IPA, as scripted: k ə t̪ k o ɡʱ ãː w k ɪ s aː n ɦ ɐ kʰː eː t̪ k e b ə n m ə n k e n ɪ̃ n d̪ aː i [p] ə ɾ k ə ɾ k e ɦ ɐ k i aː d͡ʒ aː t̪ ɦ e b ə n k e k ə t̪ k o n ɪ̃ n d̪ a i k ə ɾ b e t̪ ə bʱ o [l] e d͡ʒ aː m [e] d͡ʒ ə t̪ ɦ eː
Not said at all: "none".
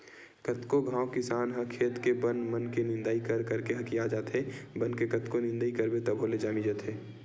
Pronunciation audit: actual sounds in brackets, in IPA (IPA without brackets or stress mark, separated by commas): k, l, i